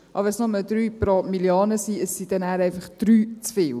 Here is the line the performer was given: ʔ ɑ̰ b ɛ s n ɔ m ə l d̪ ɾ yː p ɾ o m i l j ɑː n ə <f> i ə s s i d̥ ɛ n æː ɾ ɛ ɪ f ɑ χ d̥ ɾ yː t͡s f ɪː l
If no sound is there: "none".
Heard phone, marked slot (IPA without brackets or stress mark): s